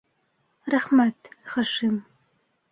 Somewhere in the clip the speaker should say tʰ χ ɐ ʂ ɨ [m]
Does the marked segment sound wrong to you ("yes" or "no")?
no